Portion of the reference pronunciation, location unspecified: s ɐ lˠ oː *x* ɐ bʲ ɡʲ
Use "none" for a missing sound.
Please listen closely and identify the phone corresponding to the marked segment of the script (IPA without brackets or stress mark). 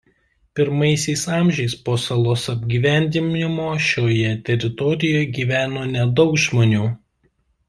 s